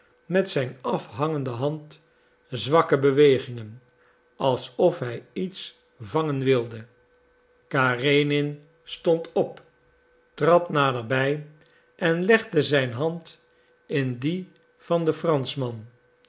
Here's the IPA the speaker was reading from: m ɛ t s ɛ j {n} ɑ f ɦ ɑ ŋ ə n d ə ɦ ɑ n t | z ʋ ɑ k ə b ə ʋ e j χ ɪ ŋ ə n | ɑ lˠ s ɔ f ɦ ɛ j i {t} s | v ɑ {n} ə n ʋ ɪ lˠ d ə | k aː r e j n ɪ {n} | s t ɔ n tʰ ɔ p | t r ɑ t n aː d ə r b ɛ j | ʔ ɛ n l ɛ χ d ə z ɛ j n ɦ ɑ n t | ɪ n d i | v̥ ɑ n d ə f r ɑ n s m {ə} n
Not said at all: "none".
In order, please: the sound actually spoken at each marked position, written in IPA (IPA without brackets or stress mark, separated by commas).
n, t, ŋ, n, ɑ